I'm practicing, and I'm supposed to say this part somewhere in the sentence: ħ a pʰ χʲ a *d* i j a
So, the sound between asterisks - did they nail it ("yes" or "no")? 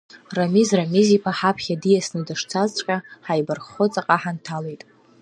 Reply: yes